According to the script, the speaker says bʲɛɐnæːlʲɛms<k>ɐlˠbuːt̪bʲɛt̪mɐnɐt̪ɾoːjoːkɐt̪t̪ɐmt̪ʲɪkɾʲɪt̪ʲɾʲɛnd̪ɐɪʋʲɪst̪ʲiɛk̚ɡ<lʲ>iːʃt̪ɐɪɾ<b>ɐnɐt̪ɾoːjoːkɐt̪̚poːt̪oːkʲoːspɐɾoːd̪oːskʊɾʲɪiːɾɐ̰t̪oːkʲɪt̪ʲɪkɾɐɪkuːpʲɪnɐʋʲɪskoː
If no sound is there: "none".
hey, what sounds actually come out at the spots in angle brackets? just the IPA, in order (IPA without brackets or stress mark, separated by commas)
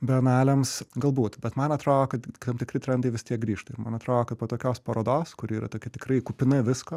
ɡ, ɾʲ, m